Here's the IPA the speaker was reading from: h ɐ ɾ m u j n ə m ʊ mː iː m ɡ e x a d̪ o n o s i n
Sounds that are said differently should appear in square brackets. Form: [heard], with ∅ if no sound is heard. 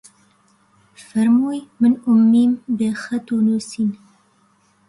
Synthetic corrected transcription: [f] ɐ ɾ m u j [m] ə [n] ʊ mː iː m [b] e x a [t̪] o n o s i n

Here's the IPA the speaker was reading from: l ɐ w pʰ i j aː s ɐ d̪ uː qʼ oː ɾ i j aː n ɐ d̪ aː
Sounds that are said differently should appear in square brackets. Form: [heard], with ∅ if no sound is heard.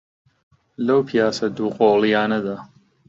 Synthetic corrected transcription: l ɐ w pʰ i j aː s ɐ d̪ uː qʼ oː [l] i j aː n ɐ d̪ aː

